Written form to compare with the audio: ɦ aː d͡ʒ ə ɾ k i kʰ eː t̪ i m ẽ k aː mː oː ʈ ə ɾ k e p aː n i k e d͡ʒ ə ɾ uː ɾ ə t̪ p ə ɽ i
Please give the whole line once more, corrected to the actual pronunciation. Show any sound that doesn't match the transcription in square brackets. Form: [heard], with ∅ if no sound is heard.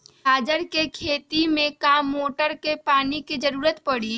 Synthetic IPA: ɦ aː d͡ʒ ə ɾ k [e] kʰ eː t̪ i m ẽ k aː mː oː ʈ ə ɾ k e p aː n i k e d͡ʒ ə ɾ uː ɾ ə t̪ p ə ɽ i

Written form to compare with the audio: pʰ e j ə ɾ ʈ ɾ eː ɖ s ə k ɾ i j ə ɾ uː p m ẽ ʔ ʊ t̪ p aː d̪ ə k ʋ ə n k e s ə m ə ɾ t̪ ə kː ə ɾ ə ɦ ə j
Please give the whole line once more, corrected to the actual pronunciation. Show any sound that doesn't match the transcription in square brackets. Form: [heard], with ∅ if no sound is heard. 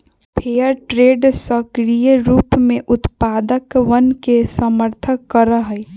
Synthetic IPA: pʰ e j ə ɾ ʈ ɾ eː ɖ s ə k ɾ i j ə ɾ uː p m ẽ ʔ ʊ t̪ p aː d̪ ə k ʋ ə n k e s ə m ə ɾ [t̪ʰ] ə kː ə ɾ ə ɦ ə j

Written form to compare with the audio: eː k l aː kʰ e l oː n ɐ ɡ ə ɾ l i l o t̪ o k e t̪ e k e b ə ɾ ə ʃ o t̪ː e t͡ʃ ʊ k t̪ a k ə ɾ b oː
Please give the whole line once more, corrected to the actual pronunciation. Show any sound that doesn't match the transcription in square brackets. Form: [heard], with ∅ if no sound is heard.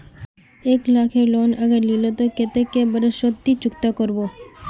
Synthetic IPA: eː k l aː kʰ e l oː n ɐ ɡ ə ɾ l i l o t̪ o k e t̪ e k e b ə ɾ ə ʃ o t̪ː [i] t͡ʃ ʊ k t̪ a k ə ɾ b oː

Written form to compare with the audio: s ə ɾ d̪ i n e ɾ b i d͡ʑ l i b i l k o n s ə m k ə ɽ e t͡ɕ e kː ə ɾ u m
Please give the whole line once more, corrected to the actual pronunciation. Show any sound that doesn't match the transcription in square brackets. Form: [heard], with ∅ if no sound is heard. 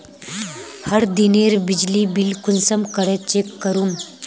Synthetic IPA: [h] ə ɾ d̪ i n e ɾ b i d͡ʑ l i b i l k [u] n s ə m k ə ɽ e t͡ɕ e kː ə ɾ u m

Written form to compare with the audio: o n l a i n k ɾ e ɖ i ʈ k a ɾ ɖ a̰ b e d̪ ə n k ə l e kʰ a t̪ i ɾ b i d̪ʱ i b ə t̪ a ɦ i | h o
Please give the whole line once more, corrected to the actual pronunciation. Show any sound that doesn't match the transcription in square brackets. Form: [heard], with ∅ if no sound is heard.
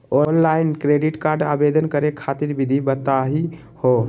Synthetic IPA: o n l a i n k ɾ e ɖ i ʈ k a ɾ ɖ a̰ b e d̪ ə n k ə [ɾ] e kʰ a t̪ i ɾ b i d̪ʱ i b ə t̪ a ɦ i | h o

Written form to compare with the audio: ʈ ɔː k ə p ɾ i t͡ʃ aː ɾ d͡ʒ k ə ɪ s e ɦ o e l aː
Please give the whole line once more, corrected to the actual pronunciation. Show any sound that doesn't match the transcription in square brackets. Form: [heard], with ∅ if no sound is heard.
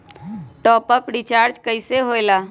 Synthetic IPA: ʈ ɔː [p] ə p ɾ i t͡ʃ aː ɾ d͡ʒ k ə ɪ s e ɦ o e l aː

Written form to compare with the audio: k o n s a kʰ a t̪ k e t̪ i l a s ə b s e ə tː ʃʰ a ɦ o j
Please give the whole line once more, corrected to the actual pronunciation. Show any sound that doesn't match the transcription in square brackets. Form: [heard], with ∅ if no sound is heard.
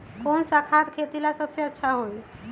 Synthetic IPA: k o n s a kʰ a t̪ [kʰ] e t̪ i l a s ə b s e ə tː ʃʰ a ɦ o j

